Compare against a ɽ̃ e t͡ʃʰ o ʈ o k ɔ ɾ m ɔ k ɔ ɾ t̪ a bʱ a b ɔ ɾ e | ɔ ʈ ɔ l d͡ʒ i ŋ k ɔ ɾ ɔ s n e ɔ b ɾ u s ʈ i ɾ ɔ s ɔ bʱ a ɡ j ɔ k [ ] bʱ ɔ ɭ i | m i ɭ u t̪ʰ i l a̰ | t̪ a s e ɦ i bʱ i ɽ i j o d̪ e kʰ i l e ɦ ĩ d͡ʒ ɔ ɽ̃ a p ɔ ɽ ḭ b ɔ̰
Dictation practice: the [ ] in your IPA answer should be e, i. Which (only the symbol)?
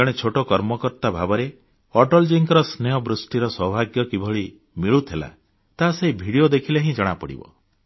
i